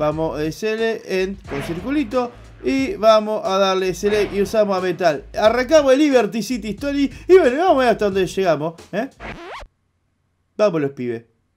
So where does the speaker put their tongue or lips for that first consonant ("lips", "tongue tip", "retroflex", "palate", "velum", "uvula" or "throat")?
lips